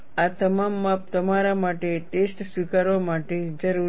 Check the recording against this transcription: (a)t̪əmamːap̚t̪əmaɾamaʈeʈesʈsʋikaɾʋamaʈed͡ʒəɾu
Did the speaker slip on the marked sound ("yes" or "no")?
no